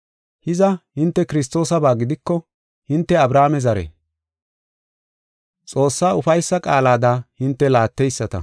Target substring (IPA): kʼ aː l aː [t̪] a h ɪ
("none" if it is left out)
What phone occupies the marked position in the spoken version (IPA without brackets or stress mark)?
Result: d̪